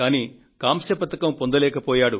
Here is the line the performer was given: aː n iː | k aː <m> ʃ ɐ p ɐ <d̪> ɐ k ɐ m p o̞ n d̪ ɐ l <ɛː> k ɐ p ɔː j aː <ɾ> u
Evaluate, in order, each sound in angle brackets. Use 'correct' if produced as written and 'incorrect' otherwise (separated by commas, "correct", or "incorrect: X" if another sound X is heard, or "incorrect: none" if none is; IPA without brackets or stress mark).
correct, incorrect: t̪, correct, incorrect: ɽ